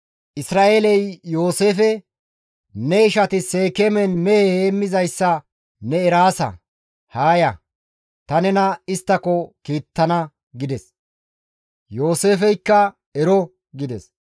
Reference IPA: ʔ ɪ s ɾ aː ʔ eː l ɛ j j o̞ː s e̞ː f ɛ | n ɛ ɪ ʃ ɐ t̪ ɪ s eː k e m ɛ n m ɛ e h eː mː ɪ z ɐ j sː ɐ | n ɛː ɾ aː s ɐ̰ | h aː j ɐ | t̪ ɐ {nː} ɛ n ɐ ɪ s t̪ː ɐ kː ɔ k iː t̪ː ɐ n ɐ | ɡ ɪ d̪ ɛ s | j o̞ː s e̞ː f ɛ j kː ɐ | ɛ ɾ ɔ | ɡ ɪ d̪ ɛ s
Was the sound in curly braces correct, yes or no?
no